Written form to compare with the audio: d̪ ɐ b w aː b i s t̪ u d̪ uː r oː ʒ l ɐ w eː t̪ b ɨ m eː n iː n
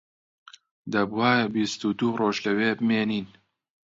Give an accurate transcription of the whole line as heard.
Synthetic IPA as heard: d̪ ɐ b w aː b i s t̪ u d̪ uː r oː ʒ l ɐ w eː b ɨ m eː n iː n